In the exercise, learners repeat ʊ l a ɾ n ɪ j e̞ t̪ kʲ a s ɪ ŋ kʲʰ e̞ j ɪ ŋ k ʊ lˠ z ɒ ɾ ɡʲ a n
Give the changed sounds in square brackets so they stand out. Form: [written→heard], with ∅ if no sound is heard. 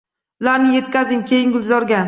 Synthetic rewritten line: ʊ l a ɾ n ɪ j e̞ t̪ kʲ a [s→z] ɪ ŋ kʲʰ e̞ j ɪ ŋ [k→ɡ] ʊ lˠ z ɒ ɾ ɡʲ a n